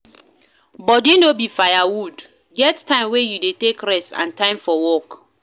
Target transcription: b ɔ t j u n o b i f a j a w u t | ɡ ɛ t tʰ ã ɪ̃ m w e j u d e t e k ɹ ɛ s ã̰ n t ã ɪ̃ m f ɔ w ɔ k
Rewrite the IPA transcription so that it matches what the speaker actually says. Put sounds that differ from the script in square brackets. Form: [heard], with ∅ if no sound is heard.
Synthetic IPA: b ɔ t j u n o b i f a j a w u [d] | ɡ ɛ t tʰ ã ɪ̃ m w e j u d e t e k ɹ ɛ s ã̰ n t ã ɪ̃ m f ɔ w ɔ k